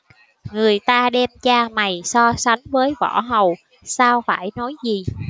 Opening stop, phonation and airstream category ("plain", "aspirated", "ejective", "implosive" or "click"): plain